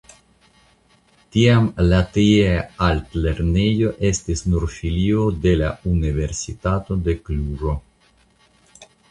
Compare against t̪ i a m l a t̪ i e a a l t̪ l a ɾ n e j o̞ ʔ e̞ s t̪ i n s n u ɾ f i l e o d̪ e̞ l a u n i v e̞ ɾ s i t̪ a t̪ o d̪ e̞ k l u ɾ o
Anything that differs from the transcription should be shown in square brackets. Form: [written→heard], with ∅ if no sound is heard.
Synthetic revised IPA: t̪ i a m l a t̪ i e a a l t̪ l [a→e] ɾ n e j o̞ ʔ e̞ s t̪ i [n→∅] s n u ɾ f i l [e→i] o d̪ e̞ l a u n i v e̞ ɾ s i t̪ a t̪ o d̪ e̞ k l u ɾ o